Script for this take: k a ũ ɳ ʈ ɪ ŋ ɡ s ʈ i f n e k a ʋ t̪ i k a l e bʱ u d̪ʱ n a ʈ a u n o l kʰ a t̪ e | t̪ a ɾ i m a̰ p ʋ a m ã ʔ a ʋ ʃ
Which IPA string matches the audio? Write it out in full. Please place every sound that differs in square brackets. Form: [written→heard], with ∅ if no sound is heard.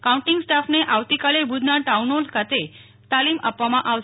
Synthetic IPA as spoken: k a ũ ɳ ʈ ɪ ŋ ɡ s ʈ [i→a] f n e [k→ʔ] a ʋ t̪ i k a l e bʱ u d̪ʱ n a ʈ a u n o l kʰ a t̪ e | t̪ a [ɾ→l] i m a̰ p ʋ a m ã ʔ a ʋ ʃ